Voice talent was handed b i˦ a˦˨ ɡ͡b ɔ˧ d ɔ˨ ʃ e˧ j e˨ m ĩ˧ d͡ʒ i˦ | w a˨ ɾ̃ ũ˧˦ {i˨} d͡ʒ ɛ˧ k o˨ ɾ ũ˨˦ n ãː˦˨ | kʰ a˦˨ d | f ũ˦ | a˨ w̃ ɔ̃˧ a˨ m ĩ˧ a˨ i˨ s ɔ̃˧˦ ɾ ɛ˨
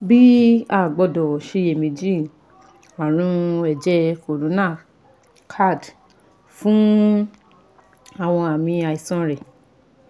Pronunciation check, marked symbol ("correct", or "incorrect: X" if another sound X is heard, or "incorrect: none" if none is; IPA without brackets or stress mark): incorrect: ɛ˨